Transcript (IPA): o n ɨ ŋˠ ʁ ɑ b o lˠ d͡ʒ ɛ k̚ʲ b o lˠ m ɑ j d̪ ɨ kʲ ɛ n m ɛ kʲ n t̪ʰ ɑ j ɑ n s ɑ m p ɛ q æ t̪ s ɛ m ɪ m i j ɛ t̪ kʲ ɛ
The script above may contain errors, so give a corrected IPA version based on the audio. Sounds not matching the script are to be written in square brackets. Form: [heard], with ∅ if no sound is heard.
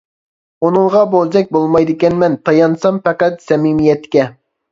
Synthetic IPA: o n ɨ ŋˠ ʁ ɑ b o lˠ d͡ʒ ɛ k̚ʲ b o lˠ m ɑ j d̪ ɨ kʲ ɛ n m ɛ [∅] n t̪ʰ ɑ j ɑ n s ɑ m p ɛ q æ t̪ s ɛ m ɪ m i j ɛ t̪ kʲ ɛ